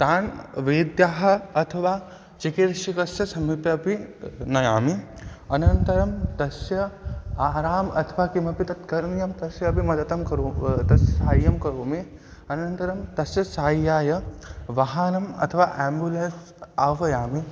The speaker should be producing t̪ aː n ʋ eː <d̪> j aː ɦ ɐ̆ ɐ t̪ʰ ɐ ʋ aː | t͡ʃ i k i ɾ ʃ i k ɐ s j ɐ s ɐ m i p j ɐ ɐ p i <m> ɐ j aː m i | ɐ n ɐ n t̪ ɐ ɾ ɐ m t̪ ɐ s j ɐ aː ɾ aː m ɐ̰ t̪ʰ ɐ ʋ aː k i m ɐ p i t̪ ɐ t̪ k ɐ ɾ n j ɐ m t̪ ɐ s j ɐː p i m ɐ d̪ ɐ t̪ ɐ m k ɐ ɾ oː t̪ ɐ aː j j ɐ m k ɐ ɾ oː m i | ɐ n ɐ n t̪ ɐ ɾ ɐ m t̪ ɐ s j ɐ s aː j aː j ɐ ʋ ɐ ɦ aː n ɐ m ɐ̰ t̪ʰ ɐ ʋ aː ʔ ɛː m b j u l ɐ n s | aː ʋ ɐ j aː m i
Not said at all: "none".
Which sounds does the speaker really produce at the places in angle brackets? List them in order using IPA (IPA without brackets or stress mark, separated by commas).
d̪, n